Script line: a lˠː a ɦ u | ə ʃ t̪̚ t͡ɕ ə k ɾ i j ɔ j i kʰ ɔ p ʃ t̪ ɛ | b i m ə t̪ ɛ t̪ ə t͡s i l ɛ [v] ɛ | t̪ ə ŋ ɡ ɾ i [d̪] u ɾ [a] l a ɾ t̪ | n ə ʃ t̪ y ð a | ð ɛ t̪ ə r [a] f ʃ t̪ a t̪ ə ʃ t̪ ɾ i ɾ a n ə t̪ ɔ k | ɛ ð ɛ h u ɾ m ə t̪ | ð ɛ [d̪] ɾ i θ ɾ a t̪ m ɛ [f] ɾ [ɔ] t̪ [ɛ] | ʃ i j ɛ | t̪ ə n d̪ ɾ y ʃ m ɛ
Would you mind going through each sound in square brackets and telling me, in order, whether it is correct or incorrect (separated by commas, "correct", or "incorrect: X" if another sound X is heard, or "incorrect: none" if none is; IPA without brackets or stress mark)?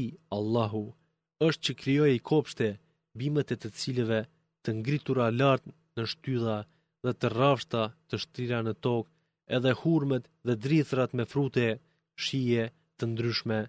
correct, incorrect: t̪, correct, correct, correct, correct, incorrect: u, correct